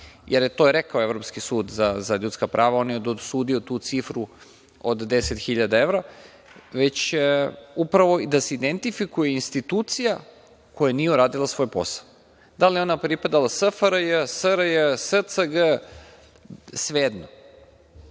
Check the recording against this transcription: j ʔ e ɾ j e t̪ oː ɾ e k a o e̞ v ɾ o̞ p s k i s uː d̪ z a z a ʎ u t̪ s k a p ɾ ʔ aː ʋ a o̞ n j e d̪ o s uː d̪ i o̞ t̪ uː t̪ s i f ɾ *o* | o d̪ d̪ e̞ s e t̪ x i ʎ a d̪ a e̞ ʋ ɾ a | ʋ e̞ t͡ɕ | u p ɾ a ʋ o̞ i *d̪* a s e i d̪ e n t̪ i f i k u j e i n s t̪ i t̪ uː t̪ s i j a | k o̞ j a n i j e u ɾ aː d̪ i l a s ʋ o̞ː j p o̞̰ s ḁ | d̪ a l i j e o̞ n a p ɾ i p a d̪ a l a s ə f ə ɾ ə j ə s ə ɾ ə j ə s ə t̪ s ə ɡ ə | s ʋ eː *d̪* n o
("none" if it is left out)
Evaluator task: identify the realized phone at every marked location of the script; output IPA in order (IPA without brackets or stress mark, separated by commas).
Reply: u, d̪, d̪